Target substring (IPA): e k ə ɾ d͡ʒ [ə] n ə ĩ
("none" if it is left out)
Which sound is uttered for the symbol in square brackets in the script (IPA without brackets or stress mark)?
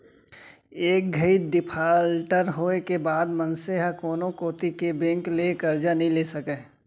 a